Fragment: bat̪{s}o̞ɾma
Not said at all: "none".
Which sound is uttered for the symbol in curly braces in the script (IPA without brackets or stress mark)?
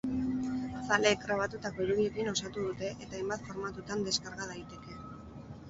f